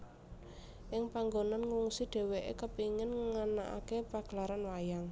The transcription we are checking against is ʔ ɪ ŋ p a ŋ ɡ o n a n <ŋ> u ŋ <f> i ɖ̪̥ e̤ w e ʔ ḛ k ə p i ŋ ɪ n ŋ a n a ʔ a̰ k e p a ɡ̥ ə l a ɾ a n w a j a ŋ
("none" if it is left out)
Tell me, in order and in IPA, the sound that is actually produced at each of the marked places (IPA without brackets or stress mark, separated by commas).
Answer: ŋ, s